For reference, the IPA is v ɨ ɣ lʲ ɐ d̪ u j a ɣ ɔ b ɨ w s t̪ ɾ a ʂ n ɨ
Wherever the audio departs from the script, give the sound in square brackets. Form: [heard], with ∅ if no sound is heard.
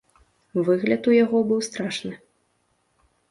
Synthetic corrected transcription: v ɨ ɣ lʲ ɐ [t̪] u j a ɣ ɔ b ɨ w s t̪ ɾ a ʂ n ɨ